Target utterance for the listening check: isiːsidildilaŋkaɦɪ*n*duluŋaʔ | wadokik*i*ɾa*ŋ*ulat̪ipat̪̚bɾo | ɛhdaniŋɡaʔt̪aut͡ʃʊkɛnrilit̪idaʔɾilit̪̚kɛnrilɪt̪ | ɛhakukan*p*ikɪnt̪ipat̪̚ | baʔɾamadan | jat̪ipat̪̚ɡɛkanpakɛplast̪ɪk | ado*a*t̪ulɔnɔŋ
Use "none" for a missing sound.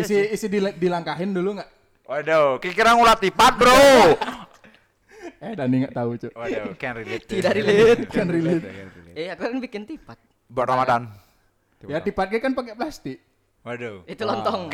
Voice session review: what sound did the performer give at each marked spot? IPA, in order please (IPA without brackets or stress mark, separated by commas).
n, i, ŋ, b, i